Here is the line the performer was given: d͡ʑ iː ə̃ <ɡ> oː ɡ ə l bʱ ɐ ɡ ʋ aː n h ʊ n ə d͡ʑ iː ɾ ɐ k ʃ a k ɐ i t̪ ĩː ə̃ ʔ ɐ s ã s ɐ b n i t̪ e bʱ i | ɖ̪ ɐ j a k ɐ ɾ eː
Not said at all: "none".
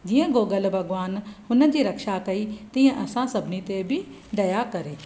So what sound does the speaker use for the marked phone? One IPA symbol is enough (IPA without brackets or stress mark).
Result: ɡ